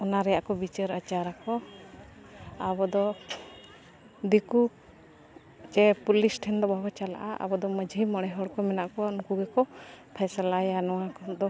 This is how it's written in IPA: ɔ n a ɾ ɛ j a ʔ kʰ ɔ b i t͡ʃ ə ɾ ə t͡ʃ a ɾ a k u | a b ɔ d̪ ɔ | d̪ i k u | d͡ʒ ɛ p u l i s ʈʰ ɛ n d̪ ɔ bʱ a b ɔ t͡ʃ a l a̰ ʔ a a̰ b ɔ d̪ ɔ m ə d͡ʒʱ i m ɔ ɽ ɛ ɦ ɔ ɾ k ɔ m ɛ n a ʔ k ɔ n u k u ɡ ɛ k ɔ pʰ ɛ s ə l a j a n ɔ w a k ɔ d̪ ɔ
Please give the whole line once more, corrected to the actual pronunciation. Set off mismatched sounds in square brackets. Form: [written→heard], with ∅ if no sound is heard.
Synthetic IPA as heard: ɔ n a ɾ ɛ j a ʔ [kʰ→k] ɔ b i t͡ʃ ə ɾ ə t͡ʃ a ɾ a k [u→ɔ] | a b ɔ d̪ ɔ | d̪ i k u | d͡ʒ ɛ p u l i s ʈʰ ɛ n d̪ ɔ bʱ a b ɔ t͡ʃ a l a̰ ʔ a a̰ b ɔ d̪ ɔ m ə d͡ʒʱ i m ɔ ɽ ɛ ɦ ɔ [ɾ→ɽ] k ɔ m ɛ n a ʔ k ɔ n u k u ɡ ɛ k ɔ pʰ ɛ s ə l a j a n ɔ w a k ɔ d̪ ɔ